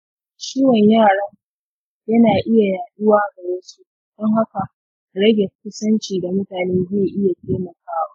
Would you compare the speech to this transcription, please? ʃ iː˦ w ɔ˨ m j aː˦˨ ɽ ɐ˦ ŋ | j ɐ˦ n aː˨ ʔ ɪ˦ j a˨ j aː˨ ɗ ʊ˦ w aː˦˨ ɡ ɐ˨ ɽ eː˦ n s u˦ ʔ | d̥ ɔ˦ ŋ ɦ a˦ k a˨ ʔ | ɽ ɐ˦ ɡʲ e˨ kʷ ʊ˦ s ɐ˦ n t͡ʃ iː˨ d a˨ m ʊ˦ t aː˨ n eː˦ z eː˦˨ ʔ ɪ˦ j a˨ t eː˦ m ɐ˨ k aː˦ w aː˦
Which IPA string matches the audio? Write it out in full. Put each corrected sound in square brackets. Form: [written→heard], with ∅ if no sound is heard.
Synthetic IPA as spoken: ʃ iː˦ w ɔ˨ [m→ɲ] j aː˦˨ ɽ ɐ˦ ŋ | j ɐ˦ n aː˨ ʔ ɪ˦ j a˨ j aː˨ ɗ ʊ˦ w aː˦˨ ɡ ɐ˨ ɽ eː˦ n s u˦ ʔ | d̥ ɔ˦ ŋ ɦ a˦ k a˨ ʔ | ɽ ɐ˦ ɡʲ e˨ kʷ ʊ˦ s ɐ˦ n t͡ʃ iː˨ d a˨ m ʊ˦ t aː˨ n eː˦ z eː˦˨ ʔ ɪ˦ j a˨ t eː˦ m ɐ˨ k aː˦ w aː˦